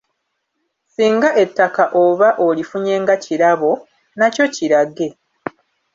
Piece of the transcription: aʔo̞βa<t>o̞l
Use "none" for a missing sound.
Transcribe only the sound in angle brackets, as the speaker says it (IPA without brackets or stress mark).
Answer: ʔ